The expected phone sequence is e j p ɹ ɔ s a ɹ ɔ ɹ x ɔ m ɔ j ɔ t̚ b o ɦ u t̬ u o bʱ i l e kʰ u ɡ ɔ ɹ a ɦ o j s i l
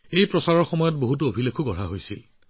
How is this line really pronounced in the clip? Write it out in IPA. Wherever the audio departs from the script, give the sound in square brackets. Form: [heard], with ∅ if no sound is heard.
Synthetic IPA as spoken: e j p ɹ ɔ s a ɹ ɔ ɹ x ɔ m ɔ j ɔ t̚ b o ɦ u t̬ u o bʱ i l e kʰ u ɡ ɔ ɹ a ɦ o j s i l